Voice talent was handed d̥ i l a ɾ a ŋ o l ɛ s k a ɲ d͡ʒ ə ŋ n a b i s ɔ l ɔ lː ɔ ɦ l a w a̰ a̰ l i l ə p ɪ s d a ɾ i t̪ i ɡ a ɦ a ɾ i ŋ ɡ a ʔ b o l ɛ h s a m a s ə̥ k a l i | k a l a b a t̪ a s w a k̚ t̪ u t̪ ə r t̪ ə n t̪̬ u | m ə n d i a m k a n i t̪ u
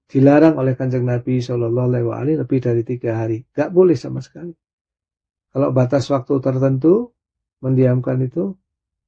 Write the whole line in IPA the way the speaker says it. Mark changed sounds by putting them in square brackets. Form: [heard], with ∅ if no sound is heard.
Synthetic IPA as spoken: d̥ i l a ɾ a ŋ o l ɛ [h] k a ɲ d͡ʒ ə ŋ n a b i s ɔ l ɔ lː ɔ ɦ l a w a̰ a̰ l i l ə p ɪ [h] d a ɾ i t̪ i ɡ a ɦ a ɾ i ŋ ɡ a ʔ b o l ɛ h s a m a s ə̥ k a l i | k a l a b a t̪ a s w a k̚ t̪ u t̪ ə r t̪ ə n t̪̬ u | m ə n d i a m k a n i t̪ u